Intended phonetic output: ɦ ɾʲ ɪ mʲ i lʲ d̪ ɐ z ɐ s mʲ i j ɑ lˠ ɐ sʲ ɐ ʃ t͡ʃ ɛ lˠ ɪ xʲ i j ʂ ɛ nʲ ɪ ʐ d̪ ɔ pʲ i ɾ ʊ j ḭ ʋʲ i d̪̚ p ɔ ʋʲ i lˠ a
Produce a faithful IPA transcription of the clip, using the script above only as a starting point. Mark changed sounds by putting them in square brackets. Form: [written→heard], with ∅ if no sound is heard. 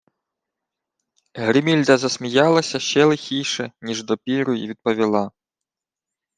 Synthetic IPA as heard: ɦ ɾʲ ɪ mʲ i lʲ d̪ ɐ z ɐ s mʲ i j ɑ lˠ ɐ sʲ ɐ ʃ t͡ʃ ɛ lˠ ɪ xʲ i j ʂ ɛ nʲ [ɪ→i] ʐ d̪ ɔ pʲ i ɾ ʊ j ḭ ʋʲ i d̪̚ p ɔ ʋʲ i lˠ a